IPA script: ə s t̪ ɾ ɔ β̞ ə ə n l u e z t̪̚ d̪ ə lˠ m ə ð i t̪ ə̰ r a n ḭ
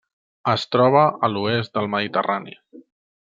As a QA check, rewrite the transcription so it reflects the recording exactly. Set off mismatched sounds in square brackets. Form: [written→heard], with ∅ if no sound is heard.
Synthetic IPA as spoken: ə s t̪ ɾ ɔ β̞ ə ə [n→∅] l u e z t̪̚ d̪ ə lˠ m ə ð i t̪ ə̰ r a n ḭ